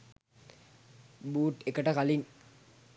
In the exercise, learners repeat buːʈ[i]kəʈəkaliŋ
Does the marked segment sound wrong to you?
yes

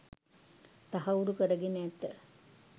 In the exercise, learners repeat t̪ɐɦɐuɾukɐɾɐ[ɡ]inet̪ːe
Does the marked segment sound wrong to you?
no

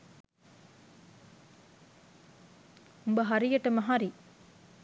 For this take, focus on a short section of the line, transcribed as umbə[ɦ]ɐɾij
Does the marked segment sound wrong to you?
no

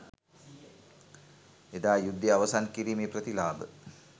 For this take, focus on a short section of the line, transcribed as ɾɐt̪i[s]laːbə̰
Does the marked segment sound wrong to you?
yes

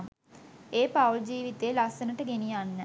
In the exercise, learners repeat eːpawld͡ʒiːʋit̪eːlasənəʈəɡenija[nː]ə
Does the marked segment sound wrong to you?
no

